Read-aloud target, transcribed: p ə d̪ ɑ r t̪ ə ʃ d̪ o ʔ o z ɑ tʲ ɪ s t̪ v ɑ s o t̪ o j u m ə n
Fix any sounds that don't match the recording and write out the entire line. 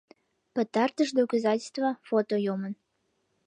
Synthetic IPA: p ə t̪ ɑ r t̪ ə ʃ d̪ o k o z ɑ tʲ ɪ s t̪ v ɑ f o t̪ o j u m ə n